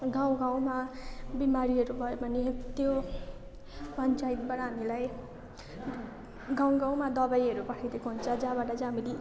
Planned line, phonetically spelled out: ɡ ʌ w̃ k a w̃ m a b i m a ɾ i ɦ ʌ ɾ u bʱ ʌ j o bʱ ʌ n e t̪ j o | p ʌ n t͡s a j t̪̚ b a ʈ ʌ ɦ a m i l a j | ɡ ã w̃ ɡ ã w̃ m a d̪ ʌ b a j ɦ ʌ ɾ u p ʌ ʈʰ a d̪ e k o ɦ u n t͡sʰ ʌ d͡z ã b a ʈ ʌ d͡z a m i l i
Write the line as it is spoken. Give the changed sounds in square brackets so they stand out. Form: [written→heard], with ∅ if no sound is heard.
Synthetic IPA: ɡ [ʌ→a] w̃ [k→ɡ] a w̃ m a b i m a ɾ i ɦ ʌ ɾ u bʱ ʌ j o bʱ ʌ n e t̪ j o | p ʌ n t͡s a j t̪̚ b a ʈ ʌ ɦ a m i l a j | ɡ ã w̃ ɡ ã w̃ m a d̪ ʌ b a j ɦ ʌ ɾ u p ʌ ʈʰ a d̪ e k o ɦ u n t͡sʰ ʌ d͡z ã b a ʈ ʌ d͡z a m i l i